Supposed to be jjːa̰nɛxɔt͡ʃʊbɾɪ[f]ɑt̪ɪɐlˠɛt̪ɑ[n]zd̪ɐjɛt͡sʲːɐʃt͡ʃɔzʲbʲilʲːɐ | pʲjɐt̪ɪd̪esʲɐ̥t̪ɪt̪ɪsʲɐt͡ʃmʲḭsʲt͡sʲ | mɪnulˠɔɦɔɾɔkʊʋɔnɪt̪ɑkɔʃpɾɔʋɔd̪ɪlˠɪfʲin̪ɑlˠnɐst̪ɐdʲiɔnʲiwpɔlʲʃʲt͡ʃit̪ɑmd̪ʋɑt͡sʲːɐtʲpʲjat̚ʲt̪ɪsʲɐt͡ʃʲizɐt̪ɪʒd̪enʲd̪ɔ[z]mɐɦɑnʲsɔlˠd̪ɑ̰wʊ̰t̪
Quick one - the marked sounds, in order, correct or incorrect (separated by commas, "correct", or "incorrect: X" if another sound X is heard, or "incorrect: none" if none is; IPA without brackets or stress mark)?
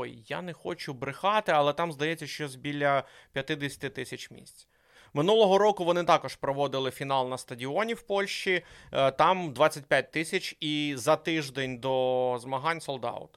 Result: incorrect: x, incorrect: m, correct